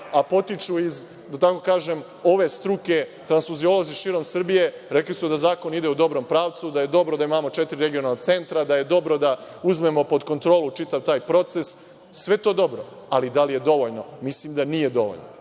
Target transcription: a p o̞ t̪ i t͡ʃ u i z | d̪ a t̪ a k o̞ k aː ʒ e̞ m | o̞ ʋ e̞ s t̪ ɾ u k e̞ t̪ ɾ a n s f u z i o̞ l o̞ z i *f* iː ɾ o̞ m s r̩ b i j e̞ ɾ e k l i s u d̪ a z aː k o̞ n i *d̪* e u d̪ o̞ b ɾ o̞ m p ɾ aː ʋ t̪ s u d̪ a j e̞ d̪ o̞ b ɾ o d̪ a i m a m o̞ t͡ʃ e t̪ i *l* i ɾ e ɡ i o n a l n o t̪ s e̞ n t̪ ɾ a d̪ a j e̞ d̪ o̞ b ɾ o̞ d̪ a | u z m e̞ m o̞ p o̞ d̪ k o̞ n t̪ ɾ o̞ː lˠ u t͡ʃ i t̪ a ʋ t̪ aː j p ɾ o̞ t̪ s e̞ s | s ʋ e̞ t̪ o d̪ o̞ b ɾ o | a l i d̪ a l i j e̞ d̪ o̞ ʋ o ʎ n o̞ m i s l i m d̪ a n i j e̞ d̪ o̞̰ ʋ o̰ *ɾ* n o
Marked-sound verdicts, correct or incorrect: incorrect: ʃ, correct, incorrect: ɾ, incorrect: ʎ

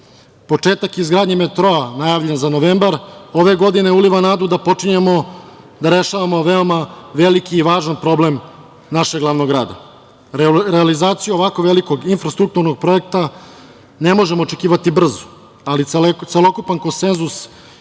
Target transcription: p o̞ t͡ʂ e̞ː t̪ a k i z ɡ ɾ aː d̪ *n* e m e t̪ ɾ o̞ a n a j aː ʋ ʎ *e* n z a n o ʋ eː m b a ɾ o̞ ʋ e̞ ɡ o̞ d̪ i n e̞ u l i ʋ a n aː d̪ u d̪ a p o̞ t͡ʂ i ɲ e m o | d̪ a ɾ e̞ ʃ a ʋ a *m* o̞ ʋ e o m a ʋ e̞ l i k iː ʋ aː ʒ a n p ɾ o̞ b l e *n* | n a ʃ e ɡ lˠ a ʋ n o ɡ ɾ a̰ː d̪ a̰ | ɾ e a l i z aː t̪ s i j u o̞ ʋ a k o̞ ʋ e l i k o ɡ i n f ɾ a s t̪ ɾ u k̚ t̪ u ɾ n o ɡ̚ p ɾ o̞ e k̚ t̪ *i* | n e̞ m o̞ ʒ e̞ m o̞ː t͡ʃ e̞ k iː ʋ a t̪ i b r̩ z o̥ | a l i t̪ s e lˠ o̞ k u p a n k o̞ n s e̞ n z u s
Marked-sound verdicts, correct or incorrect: incorrect: ɲ, correct, correct, incorrect: m, incorrect: a

